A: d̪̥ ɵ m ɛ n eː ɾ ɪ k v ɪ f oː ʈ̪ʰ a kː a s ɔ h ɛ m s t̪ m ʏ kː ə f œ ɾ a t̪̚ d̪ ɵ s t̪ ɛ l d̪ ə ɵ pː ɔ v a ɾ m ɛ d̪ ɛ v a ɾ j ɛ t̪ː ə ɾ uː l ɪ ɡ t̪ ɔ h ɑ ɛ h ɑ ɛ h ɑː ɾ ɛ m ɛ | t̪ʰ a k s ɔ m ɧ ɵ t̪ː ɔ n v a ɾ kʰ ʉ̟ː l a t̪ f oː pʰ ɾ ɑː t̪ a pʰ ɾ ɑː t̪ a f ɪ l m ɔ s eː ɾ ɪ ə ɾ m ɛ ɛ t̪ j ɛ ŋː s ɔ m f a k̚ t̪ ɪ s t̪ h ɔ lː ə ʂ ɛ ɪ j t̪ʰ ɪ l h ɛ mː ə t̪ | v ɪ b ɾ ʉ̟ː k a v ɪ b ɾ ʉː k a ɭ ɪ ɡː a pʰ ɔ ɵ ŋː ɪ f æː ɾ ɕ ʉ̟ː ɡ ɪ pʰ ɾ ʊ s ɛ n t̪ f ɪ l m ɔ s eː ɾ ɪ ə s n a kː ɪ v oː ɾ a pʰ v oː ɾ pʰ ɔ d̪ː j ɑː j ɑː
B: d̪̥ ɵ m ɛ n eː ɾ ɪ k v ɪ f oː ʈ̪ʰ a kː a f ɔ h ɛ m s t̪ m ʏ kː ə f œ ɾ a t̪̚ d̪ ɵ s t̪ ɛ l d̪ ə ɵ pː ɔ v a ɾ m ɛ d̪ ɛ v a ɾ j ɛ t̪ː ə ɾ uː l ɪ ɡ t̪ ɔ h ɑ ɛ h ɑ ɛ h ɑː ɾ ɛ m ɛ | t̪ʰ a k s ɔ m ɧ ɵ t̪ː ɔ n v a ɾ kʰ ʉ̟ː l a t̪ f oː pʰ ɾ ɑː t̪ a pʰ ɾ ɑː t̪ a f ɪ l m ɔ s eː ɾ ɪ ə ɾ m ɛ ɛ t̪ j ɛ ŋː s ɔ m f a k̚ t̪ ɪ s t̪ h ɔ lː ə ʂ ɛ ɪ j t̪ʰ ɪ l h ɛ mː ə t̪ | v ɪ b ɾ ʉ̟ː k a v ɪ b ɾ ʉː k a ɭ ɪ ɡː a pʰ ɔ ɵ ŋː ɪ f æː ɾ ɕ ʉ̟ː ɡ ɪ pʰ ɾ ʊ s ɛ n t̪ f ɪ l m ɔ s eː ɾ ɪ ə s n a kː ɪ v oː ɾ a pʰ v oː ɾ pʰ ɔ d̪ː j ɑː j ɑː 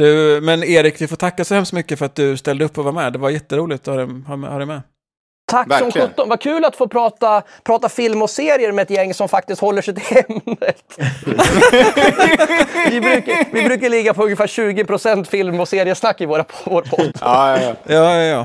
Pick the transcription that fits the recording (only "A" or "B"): A